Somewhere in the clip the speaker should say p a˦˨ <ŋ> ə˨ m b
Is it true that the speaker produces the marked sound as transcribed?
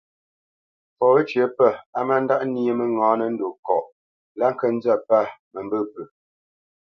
no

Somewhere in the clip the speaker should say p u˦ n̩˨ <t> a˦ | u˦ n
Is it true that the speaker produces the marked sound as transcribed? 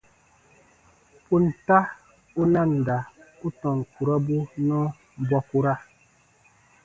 yes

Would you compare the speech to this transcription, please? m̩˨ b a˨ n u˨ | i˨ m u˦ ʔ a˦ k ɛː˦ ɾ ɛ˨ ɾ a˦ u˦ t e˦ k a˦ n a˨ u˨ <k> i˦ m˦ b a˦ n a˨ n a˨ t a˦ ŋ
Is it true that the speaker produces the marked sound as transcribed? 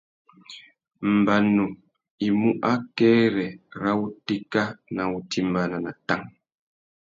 no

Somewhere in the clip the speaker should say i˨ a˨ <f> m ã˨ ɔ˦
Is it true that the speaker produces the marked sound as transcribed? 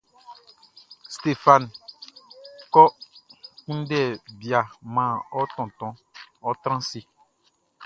no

